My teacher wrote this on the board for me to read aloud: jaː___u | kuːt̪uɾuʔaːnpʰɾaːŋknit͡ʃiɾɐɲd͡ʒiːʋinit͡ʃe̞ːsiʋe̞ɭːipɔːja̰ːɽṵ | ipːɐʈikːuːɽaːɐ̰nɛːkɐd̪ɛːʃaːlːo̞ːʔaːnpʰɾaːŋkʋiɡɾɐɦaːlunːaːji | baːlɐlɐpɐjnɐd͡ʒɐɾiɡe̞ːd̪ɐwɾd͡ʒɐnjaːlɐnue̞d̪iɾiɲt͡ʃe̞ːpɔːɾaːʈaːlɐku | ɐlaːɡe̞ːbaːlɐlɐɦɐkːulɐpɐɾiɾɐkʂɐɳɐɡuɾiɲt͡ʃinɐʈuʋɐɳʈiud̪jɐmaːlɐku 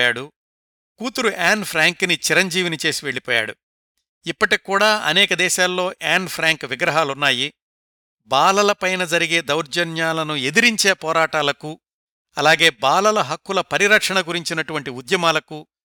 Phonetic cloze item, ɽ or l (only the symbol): ɽ